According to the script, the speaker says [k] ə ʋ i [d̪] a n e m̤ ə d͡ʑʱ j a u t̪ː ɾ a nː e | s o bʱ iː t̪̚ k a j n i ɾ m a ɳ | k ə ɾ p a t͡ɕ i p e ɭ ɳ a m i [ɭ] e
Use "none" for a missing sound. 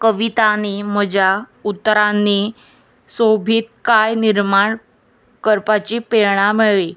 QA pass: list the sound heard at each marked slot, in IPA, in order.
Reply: k, t̪, ɭ

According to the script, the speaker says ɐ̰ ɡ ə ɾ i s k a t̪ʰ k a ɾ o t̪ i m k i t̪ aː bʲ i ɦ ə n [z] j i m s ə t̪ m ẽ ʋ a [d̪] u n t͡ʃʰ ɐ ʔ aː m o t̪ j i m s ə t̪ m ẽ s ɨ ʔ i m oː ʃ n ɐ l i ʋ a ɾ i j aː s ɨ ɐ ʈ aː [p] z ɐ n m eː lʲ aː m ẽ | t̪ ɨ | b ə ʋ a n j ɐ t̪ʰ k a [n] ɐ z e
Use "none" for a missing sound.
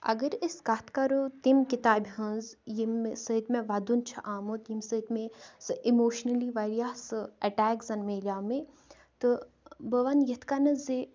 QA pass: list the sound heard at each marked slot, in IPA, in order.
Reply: z, d̪, k, n

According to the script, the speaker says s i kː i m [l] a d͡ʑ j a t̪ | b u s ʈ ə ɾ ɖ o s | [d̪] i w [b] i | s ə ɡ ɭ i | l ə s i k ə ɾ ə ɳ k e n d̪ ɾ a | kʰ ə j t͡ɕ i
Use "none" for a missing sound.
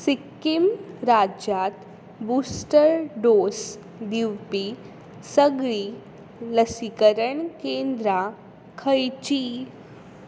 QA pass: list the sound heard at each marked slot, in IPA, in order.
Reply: ɾ, d̪, p

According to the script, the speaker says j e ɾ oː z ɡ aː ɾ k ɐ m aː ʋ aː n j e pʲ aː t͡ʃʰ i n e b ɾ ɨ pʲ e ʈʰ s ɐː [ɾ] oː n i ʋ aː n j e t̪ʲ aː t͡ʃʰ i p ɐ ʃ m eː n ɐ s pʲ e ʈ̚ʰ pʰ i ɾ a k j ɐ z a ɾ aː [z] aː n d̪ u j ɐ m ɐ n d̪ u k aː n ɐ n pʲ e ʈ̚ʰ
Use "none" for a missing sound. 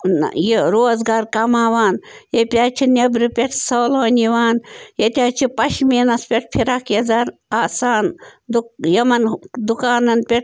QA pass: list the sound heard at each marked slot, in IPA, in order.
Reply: l, s

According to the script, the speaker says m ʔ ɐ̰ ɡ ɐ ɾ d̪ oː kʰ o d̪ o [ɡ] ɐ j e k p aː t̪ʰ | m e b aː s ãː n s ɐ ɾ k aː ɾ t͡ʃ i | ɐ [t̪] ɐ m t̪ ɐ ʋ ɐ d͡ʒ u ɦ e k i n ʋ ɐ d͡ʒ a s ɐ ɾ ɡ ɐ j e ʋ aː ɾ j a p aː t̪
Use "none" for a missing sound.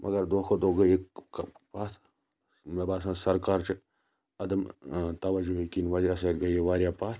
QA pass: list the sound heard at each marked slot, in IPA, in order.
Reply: ɡ, d̪

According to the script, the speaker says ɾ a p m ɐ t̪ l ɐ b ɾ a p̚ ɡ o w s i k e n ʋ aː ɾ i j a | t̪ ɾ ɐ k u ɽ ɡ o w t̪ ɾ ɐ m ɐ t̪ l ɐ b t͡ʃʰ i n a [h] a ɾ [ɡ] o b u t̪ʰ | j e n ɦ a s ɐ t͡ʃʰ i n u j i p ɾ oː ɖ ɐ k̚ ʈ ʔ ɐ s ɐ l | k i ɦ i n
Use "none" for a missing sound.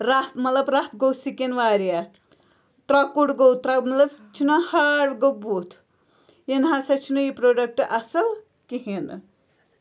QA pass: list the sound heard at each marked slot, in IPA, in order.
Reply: h, ɡ

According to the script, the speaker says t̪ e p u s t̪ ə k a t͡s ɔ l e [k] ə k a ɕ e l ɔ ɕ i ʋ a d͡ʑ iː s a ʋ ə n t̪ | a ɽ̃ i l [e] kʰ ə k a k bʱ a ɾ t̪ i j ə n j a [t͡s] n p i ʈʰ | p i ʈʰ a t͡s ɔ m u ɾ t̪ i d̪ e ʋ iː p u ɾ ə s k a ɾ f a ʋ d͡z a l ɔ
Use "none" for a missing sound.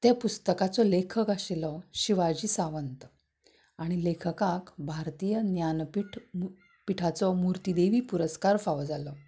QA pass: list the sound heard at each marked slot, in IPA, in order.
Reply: kʰ, e, none

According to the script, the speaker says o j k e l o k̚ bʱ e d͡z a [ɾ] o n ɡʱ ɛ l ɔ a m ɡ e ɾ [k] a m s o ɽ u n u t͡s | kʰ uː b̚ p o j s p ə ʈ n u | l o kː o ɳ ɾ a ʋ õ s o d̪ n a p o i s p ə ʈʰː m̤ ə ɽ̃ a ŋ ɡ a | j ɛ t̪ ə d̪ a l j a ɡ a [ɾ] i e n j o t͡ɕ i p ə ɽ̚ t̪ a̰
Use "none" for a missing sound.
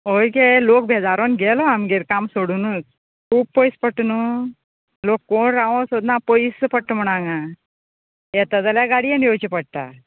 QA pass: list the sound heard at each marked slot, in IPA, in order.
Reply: ɾ, k, ɽ

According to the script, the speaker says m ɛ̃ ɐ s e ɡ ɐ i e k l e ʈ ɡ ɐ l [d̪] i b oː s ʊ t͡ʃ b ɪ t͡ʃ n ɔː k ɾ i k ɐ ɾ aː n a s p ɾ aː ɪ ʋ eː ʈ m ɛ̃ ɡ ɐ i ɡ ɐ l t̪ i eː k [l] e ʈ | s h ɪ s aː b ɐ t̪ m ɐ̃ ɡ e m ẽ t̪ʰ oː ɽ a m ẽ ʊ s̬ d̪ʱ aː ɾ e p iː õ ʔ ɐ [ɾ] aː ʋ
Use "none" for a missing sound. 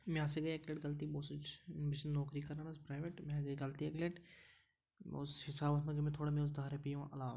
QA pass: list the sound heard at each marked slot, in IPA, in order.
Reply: t̪, l, l

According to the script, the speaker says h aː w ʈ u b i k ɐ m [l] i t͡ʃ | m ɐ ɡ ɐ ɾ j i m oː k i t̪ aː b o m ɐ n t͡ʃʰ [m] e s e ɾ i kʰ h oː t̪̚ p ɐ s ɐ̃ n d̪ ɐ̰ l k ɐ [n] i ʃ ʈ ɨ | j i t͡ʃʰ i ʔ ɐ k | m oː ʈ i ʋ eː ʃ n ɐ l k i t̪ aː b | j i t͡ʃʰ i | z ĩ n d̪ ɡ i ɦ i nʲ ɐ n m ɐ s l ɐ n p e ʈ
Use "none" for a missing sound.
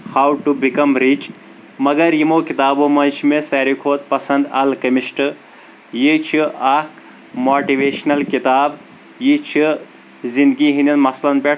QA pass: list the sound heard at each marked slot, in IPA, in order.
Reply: ɾ, m, m

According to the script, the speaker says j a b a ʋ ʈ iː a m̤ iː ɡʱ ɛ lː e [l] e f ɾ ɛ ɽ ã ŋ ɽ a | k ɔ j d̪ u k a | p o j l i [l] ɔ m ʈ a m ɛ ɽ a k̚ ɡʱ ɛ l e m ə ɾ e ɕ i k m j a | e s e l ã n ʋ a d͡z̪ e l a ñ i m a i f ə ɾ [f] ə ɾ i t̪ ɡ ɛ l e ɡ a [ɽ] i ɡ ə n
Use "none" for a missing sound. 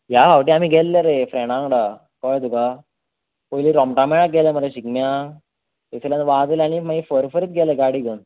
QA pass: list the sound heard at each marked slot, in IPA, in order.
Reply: ɾ, ɾ, f, ɽ

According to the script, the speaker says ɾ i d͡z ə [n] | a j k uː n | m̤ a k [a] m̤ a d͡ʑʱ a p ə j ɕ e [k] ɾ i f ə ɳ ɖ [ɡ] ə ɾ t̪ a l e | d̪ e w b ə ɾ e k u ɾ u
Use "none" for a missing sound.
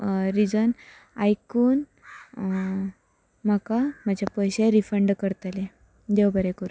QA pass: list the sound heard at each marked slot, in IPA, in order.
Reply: n, a, none, k

